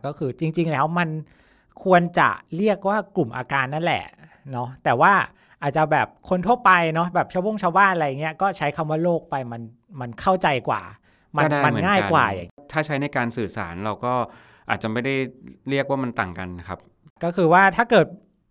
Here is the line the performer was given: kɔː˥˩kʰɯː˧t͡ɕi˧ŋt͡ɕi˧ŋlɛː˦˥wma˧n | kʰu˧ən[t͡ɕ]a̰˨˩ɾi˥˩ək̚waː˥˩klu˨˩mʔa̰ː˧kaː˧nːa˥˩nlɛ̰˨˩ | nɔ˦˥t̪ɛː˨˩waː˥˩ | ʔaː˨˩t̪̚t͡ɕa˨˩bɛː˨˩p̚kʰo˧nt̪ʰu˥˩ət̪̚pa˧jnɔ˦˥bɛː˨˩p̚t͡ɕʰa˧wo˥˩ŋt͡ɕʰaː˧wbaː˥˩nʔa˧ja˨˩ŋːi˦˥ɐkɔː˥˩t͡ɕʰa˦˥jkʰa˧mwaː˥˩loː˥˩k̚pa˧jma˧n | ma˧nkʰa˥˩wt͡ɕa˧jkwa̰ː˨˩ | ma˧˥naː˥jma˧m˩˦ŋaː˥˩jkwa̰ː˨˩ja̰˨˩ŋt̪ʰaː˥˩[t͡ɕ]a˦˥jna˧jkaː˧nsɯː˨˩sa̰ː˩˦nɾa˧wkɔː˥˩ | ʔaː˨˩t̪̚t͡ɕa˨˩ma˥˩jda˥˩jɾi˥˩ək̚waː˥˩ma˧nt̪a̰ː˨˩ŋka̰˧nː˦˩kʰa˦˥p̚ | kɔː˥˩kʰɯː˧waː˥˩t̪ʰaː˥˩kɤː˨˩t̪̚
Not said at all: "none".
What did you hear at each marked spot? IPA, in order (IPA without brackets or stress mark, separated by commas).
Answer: t͡ɕ, t͡ɕʰ